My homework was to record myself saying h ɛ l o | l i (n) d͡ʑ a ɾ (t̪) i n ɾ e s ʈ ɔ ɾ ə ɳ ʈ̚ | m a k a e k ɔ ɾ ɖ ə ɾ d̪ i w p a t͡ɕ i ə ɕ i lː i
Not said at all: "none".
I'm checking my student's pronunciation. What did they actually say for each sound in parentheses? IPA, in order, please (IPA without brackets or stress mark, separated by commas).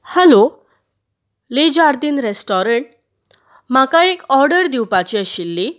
none, d̪